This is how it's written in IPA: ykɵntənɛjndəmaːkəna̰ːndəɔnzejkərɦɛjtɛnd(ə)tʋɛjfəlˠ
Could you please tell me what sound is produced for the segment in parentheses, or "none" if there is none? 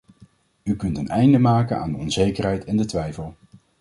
ə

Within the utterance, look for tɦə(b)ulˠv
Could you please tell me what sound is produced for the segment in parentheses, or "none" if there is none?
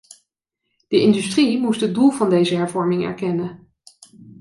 d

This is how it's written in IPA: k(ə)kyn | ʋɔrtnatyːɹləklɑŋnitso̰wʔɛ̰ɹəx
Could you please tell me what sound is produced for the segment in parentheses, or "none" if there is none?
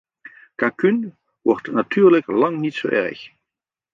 a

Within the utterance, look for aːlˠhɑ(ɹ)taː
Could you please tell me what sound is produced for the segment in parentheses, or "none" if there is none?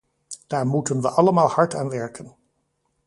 ɹ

